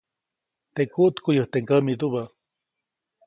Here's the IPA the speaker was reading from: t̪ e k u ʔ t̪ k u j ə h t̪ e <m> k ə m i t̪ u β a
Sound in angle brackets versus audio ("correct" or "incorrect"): incorrect